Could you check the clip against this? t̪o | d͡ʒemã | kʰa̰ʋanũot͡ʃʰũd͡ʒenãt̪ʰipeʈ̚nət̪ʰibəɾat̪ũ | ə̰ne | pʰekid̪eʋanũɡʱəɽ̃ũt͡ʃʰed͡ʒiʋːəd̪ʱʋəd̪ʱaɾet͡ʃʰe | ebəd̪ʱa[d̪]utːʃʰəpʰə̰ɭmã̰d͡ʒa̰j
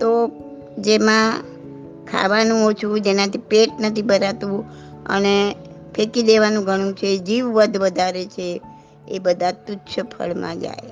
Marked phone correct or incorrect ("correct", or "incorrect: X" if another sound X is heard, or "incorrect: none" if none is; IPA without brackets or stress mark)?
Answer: incorrect: t̪